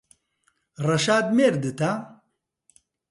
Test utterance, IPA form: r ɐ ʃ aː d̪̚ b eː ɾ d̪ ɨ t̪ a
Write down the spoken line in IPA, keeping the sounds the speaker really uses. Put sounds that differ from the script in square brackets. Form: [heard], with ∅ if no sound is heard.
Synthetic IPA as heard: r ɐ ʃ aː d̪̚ [m] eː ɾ d̪ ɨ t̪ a